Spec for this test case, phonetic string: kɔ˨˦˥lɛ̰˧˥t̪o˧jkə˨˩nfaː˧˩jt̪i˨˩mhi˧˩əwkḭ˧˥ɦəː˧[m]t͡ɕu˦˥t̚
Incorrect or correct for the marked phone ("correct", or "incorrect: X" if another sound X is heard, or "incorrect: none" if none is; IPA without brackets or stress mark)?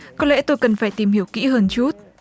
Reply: incorrect: n